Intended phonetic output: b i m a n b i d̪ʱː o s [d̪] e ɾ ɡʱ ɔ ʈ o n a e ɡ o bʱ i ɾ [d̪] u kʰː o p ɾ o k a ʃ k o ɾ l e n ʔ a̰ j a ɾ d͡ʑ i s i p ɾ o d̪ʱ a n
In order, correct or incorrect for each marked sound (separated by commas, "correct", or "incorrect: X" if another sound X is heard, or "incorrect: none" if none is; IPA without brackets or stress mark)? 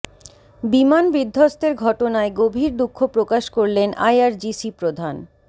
incorrect: t̪, correct